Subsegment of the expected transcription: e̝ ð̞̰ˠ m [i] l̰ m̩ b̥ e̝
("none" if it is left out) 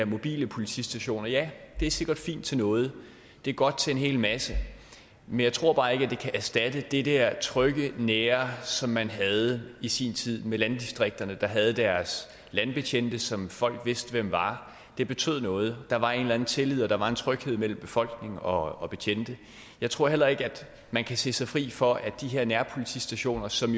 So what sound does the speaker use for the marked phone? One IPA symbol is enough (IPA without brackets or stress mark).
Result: e